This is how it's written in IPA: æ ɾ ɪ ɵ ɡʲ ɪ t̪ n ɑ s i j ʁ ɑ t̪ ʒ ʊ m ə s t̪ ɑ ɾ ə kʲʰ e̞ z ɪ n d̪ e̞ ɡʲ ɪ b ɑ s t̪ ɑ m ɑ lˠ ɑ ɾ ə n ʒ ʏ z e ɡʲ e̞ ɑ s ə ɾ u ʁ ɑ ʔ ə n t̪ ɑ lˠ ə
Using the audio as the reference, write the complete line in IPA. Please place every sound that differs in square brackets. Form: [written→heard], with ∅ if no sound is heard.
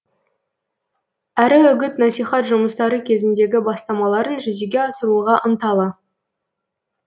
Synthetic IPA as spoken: æ ɾ ɪ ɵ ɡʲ ɪ t̪ n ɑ s i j [ʁ→χ] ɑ t̪ ʒ ʊ m ə s t̪ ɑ ɾ ə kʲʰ e̞ z ɪ n d̪ e̞ ɡʲ ɪ b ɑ s t̪ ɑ m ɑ lˠ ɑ ɾ ə n ʒ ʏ z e ɡʲ e̞ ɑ s ə ɾ u ʁ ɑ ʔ ə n t̪ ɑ lˠ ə